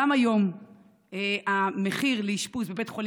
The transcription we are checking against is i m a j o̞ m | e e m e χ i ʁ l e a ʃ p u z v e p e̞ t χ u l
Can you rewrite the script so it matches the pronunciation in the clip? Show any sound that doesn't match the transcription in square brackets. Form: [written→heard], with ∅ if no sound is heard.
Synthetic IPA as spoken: [i→a] m a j o̞ m | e [e→a] m e χ i ʁ l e [a→i] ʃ p u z [v→b] e [p→b] e̞ t χ [u→o] l